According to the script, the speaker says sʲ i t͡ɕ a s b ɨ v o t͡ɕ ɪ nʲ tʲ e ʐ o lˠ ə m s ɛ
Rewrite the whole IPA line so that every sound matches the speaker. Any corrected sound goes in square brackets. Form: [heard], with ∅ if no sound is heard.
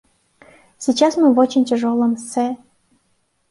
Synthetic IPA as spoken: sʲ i t͡ɕ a s [m] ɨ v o t͡ɕ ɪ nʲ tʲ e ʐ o lˠ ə m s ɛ